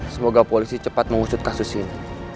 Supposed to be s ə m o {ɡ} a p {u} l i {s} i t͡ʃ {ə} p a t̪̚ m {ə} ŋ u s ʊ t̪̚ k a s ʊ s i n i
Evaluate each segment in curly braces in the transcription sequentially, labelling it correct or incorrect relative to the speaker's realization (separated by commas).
correct, incorrect, correct, correct, correct